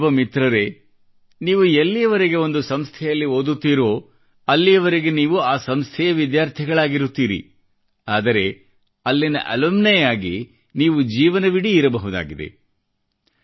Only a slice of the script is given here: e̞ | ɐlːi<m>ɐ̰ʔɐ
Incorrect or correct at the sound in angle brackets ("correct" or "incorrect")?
incorrect